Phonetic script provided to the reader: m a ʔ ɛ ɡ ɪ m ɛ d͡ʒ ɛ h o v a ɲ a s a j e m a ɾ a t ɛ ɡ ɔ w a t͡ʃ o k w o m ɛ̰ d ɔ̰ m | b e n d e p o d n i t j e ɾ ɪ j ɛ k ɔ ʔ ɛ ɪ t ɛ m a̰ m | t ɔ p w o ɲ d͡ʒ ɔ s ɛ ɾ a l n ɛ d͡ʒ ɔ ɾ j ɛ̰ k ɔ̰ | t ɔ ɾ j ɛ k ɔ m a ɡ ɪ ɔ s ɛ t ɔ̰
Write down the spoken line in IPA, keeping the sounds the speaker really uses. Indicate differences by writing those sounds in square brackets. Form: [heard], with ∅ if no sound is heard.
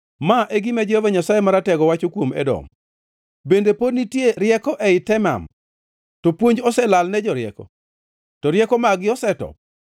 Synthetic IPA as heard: m a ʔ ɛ ɡ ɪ m ɛ d͡ʒ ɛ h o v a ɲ a s a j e m a ɾ a t ɛ ɡ ɔ w a t͡ʃ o k w o m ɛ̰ d ɔ̰ m | b e n d e p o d n i t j e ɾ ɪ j ɛ k ɔ ʔ ɛ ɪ t ɛ m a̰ m | t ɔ p w o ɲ d͡ʒ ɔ s ɛ [l] a l n ɛ d͡ʒ ɔ ɾ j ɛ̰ k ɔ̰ | t ɔ ɾ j ɛ k ɔ m a ɡ ɪ ɔ s ɛ t ɔ̰